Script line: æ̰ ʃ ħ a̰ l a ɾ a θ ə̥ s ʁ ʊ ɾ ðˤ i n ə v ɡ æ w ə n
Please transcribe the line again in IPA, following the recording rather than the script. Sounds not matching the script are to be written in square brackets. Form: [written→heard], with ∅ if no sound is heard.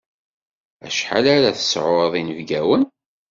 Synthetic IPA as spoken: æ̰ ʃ ħ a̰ l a ɾ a θ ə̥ s [ʁ→ʕ] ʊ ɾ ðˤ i n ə v ɡ æ w ə n